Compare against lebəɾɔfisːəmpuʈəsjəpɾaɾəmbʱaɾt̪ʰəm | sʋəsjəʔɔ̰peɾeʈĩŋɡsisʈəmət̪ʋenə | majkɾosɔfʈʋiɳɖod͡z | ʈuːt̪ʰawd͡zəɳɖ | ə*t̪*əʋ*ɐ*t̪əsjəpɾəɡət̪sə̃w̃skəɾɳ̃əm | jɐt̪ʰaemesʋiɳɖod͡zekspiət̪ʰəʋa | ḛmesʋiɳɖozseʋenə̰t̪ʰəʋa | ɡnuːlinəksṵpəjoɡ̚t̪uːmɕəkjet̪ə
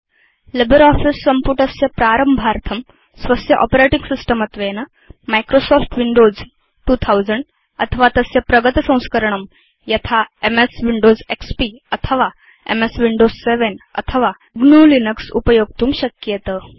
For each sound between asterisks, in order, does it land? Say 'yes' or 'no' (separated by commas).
no, no